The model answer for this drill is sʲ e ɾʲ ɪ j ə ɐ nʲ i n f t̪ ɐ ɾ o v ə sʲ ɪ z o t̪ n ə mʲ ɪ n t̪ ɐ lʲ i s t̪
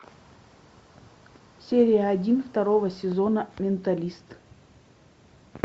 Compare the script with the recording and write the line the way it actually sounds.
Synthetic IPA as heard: sʲ e ɾʲ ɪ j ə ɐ dʲ i n f t̪ ɐ ɾ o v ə sʲ ɪ z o n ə mʲ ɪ n t̪ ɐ lʲ i s t̪